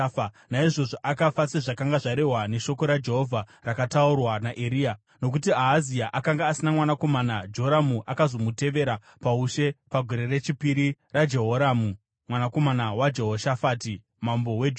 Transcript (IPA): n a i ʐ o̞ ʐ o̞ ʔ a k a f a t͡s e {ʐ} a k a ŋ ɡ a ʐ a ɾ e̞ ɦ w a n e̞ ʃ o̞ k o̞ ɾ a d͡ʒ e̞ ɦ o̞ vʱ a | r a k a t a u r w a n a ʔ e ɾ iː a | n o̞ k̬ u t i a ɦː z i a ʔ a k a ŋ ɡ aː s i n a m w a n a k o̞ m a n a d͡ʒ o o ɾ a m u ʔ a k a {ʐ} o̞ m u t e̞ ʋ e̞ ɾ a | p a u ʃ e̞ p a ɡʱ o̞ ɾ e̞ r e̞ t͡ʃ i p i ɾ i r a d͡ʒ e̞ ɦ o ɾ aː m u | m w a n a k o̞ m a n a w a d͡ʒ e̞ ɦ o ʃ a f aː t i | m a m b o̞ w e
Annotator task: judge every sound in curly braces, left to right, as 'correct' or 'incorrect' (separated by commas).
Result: correct, incorrect